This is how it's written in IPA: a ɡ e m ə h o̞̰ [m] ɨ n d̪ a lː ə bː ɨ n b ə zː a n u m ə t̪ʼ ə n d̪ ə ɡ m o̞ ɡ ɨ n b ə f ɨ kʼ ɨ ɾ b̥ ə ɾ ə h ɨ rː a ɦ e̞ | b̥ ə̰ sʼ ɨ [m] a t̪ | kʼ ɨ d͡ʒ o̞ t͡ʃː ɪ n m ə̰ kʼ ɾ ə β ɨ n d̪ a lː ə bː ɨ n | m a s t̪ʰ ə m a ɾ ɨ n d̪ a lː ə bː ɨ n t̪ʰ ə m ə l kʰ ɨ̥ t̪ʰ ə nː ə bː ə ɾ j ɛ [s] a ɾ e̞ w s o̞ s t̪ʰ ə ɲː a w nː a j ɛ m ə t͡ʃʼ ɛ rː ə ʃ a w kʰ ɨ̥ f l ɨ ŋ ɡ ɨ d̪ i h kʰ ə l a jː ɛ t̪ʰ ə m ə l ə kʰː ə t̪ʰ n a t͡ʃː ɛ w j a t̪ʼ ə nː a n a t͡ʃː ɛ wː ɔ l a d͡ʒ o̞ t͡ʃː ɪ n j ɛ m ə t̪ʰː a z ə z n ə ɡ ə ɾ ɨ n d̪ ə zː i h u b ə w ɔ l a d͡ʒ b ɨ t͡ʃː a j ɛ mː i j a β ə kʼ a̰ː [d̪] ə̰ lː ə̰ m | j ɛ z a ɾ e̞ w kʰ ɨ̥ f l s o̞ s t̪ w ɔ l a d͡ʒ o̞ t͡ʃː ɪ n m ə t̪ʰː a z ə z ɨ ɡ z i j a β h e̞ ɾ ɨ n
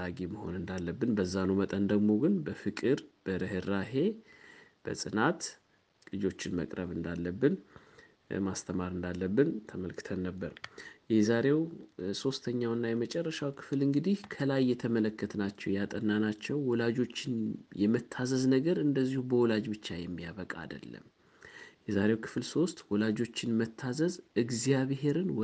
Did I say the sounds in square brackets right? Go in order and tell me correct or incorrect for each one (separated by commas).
incorrect, incorrect, incorrect, correct